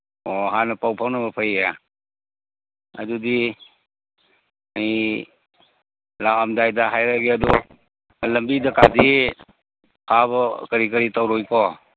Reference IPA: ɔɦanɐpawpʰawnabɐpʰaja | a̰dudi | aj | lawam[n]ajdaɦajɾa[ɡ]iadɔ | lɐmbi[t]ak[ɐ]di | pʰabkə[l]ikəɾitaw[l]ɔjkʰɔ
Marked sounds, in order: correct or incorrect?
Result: incorrect, correct, incorrect, incorrect, incorrect, incorrect

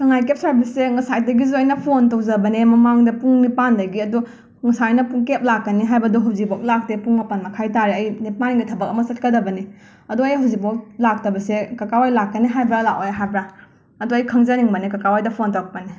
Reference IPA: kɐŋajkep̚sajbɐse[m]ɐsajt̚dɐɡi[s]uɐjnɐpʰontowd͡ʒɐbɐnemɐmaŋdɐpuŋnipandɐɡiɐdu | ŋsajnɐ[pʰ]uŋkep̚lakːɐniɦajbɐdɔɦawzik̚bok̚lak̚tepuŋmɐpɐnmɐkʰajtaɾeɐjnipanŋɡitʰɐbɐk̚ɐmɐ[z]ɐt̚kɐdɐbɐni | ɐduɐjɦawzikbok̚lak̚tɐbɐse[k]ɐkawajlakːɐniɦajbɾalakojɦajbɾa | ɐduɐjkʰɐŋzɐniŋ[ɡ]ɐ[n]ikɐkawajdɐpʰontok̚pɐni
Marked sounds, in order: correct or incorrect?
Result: incorrect, incorrect, incorrect, incorrect, correct, incorrect, correct

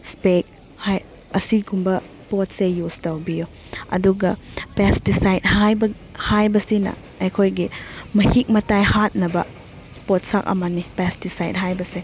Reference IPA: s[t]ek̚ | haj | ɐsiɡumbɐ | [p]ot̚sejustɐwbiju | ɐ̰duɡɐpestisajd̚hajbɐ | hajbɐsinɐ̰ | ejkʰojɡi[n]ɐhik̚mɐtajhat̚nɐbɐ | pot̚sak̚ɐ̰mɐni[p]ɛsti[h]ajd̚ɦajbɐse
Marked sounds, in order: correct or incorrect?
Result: incorrect, correct, incorrect, correct, incorrect

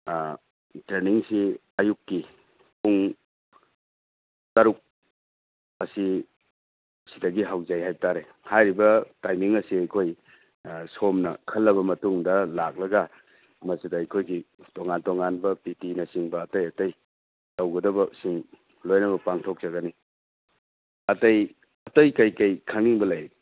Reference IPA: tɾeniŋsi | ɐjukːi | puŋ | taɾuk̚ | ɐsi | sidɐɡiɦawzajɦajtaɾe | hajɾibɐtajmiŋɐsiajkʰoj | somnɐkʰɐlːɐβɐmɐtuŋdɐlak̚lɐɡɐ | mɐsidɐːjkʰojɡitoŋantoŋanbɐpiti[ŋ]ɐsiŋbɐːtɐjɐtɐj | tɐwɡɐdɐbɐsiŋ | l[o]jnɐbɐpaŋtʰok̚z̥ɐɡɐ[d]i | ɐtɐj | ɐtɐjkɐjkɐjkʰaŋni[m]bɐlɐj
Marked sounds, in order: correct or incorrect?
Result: incorrect, correct, incorrect, incorrect

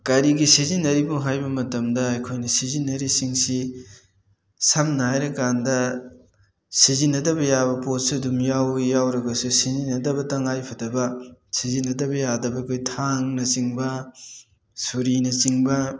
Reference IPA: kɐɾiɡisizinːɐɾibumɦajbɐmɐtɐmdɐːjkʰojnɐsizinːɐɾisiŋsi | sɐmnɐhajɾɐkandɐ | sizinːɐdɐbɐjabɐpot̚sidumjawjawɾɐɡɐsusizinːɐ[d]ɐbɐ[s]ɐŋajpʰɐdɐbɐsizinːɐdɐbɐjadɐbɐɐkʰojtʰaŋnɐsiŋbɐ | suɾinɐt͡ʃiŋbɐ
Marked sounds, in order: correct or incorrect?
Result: correct, incorrect

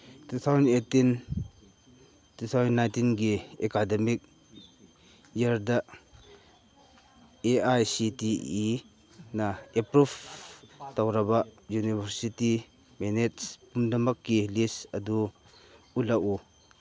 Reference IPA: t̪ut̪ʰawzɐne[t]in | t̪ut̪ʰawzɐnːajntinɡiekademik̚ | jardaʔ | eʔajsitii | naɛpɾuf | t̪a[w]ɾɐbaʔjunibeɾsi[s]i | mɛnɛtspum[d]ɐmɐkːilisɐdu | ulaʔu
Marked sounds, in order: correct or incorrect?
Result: correct, correct, incorrect, correct

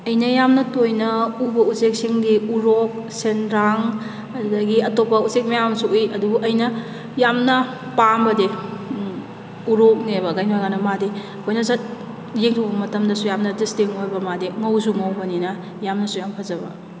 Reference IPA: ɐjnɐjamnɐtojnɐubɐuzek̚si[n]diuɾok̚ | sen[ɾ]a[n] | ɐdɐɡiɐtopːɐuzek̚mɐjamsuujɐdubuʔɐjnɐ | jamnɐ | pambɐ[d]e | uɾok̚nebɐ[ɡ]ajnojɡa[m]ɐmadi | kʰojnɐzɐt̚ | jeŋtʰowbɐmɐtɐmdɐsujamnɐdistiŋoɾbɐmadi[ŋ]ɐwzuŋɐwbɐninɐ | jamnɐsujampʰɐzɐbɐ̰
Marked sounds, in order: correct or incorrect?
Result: incorrect, correct, incorrect, correct, correct, incorrect, correct

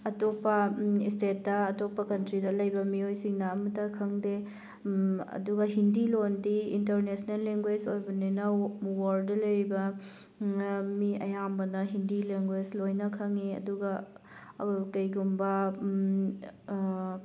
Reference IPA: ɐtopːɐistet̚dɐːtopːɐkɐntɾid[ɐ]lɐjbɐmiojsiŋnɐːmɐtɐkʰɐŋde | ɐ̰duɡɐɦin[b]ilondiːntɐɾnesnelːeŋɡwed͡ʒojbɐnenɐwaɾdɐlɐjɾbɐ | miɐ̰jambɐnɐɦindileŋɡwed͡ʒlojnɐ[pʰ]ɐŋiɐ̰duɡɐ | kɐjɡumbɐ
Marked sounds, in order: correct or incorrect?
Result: correct, incorrect, incorrect

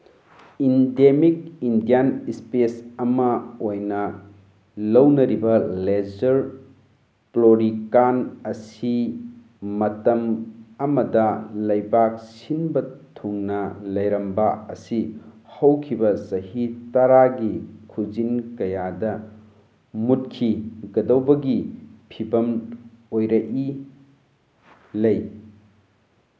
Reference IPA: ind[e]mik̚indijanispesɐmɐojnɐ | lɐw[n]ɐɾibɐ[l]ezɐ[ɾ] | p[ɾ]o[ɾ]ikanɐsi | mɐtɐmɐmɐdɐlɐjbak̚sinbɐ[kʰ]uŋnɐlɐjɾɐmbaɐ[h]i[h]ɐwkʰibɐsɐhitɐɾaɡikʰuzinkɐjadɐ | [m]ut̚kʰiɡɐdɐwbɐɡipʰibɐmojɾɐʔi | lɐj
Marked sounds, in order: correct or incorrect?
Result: correct, correct, correct, correct, incorrect, correct, incorrect, incorrect, correct, correct

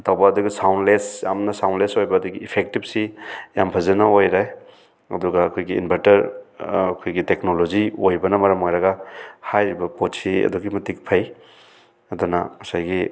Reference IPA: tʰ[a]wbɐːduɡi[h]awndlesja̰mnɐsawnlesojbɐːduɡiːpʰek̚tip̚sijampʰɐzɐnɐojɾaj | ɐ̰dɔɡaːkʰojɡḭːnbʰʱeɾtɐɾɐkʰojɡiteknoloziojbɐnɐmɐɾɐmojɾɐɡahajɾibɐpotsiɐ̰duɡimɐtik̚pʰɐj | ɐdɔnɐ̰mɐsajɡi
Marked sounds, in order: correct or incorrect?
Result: correct, incorrect

